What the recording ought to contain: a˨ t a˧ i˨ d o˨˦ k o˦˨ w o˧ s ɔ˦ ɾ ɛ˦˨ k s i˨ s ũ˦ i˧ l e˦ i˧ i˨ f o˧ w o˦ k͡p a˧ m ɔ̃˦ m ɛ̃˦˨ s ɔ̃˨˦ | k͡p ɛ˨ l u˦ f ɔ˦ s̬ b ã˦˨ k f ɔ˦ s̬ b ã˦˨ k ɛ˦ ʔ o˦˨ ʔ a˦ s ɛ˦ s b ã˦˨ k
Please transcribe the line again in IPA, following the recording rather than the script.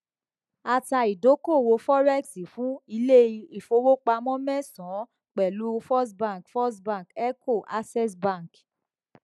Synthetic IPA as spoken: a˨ t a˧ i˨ d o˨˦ k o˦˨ w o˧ f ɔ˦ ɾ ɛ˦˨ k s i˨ f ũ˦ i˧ l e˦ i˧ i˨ f o˧ w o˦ k͡p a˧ m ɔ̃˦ m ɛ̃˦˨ s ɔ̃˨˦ | k͡p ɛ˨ l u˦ f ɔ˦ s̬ b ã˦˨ k f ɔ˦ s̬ b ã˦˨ k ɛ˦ k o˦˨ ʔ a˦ s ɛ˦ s b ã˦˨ k